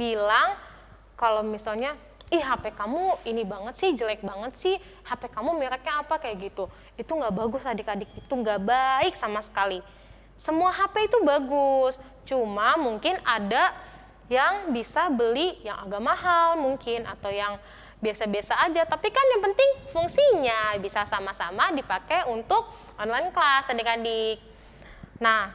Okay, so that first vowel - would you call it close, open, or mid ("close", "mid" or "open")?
close